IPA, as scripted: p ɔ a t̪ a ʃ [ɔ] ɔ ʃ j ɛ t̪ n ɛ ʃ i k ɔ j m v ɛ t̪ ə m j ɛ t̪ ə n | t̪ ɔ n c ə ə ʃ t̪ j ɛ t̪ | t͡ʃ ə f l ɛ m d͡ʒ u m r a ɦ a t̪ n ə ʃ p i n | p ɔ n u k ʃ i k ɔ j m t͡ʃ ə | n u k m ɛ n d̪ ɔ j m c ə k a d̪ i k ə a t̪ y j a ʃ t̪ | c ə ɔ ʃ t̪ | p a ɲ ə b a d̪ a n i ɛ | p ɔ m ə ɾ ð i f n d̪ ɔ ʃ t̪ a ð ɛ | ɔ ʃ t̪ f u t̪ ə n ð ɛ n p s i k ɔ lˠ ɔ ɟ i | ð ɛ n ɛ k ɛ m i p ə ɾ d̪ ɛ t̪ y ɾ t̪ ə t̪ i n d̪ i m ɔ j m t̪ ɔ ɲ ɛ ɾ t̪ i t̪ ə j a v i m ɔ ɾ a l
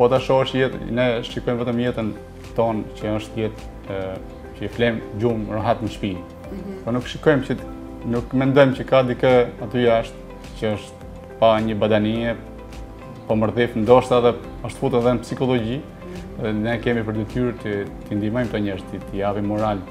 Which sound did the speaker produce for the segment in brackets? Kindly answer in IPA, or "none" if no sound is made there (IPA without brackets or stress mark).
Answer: ɔ